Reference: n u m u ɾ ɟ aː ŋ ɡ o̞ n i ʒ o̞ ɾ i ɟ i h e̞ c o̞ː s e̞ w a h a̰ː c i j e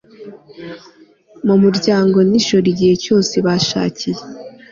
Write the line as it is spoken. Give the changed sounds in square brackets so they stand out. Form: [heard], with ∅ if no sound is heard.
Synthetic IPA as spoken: [m] u m u ɾ ɟ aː ŋ ɡ o̞ n i [ʃ] o̞ ɾ i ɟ i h e̞ c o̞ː s e̞ [β] a [ʃ] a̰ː c i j e